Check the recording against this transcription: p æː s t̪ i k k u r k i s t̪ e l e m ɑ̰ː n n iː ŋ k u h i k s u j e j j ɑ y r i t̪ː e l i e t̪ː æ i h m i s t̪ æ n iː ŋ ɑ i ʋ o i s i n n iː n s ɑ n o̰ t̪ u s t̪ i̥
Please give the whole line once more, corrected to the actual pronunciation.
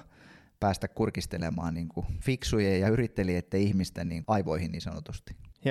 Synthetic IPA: p æː s t̪ æ k k u r k i s t̪ e l e m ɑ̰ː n n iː ŋ k u f i k s u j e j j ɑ y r i t̪ː e l i e t̪ː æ i h m i s t̪ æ n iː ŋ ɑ i ʋ o i h i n n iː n s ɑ n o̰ t̪ u s t̪ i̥